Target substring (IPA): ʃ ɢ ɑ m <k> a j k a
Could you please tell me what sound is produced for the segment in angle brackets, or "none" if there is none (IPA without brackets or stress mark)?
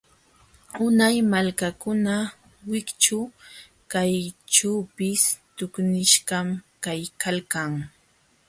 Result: k